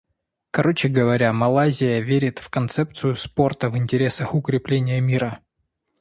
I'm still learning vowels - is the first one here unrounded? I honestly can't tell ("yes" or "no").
yes